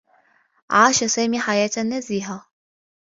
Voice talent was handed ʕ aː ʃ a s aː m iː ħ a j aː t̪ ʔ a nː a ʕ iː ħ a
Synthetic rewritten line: ʕ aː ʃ a s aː m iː ħ a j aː t̪ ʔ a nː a z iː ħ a